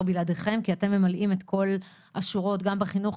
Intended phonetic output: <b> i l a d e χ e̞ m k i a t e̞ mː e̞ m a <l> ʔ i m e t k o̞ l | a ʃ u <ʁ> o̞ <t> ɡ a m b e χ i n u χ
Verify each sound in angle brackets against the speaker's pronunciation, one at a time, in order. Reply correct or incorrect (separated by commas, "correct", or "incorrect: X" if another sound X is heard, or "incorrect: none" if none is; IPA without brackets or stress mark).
correct, correct, correct, correct